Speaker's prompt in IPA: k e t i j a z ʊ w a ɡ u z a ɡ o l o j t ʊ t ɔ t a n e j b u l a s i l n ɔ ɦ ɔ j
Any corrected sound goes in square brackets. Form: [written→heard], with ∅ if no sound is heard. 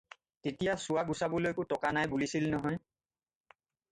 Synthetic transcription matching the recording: [k→t] e t i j a [z→s] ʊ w a ɡ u [z→s] a [ɡ→b] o l o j [t→k] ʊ t ɔ [t→k] a n [e→a] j b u l [a→i] s i l n ɔ ɦ ɔ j